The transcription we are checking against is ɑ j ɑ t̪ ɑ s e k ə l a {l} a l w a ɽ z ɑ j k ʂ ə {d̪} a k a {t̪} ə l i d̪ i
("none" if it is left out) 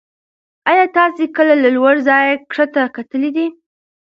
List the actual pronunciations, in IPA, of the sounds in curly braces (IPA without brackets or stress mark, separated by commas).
l, t̪, t̪